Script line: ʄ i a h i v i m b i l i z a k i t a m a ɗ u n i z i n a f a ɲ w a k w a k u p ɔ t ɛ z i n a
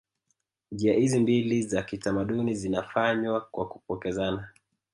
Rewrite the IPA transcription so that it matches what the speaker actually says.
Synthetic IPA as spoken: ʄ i a h i z i m b i l i z a k i t a m a ɗ u n i z i n a f a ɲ w a k w a k u p ɔ k ɛ z a n a